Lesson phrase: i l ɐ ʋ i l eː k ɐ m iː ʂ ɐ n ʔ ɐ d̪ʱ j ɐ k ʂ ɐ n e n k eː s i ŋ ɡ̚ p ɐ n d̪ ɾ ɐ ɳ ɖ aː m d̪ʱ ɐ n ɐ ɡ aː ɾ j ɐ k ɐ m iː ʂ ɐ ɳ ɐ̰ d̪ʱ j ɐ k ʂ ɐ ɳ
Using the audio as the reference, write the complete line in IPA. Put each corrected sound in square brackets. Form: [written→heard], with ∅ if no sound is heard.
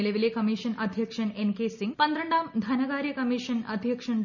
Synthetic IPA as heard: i l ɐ ʋ i l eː k ɐ m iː ʂ ɐ n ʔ ɐ d̪ʱ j ɐ k ʂ ɐ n e n k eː s i ŋ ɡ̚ p ɐ n d̪ ɾ ɐ ɳ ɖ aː m d̪ʱ ɐ n ɐ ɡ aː ɾ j ɐ k ɐ m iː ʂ ɐ [ɳ→n] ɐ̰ d̪ʱ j ɐ k ʂ ɐ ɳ